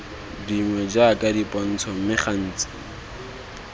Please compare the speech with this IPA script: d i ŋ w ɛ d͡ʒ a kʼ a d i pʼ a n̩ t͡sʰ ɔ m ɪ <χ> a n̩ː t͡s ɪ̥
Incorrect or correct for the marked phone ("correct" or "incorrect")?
correct